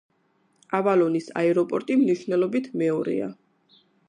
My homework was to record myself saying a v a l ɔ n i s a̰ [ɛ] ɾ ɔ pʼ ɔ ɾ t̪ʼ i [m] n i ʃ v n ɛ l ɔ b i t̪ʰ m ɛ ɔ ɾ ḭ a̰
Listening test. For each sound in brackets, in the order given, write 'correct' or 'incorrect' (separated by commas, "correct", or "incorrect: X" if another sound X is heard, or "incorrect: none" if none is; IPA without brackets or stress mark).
correct, correct